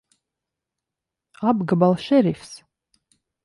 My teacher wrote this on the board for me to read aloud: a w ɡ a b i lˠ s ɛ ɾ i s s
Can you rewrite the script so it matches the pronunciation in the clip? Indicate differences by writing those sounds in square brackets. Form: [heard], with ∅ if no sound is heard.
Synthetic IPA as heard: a [b] ɡ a b [a] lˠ [ʃ] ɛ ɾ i [f] s